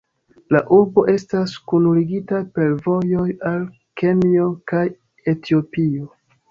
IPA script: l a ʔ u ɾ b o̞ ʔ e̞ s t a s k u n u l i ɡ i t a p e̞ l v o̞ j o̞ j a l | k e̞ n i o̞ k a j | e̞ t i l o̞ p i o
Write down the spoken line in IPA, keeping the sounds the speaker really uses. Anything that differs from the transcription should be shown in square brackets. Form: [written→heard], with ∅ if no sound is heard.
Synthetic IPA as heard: l a ʔ u ɾ b o̞ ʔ e̞ s t a s k u n u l i ɡ i t a p e̞ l v o̞ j o̞ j a l | k e̞ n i o̞ k a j | e̞ t i [l→∅] o̞ p i o